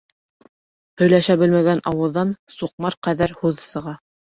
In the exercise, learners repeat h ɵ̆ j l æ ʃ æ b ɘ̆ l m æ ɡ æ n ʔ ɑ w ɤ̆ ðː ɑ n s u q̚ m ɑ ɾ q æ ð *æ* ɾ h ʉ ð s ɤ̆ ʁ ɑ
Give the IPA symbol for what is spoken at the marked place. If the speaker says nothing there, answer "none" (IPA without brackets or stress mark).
æ